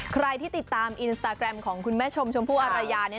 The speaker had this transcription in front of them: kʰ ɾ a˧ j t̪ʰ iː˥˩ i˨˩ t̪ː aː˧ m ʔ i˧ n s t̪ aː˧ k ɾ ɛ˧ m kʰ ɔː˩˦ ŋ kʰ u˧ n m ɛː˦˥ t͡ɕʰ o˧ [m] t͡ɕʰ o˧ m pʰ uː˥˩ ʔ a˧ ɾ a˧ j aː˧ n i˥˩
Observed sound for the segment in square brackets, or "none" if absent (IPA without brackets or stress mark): m